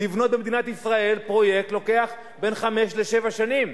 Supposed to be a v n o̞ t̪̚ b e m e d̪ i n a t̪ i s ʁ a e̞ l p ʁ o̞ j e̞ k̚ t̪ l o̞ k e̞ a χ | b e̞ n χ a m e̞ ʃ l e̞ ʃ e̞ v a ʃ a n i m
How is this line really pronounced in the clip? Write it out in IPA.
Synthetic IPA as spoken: i v n o̞ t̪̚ b e m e d̪ i n a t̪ i s ʁ a e̞ l p ʁ o̞ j e̞ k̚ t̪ l o̞ k e̞ a χ | b e̞ n χ a m e̞ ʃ l e̞ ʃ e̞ v a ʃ a n i m